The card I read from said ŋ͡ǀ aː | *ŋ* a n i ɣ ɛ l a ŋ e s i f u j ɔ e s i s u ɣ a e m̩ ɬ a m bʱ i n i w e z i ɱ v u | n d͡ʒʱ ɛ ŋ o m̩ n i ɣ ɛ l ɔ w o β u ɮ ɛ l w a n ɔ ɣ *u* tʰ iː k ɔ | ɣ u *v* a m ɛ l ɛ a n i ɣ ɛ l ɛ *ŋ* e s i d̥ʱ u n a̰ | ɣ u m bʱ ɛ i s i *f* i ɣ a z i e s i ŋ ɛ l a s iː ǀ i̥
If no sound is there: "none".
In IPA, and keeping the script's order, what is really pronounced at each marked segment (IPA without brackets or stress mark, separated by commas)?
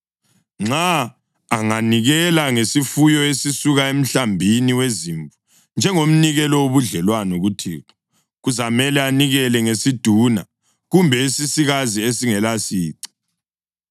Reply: ŋ, u, z, ŋ, s